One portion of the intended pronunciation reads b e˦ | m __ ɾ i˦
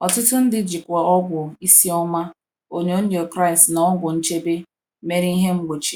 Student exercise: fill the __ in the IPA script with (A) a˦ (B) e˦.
B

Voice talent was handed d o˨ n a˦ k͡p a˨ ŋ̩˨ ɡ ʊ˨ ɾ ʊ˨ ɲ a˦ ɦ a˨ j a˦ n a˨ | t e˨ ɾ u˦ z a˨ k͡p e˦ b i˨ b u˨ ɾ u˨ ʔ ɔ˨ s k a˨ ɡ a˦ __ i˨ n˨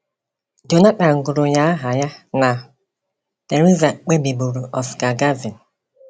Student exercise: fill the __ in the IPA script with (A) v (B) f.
A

